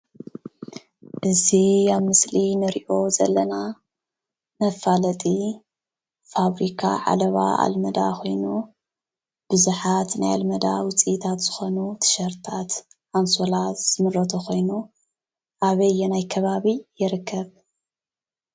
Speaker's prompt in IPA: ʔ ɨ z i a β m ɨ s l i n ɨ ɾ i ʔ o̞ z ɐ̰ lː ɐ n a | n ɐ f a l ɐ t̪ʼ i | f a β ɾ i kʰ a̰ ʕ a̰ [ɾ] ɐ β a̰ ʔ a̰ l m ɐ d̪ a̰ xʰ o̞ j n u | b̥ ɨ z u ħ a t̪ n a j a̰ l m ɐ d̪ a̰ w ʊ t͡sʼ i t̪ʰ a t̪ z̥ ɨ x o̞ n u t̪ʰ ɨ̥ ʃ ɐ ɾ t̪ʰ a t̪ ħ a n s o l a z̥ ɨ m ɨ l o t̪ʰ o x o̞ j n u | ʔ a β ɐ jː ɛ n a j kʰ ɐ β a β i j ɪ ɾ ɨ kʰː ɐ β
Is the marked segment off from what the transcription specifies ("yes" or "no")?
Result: yes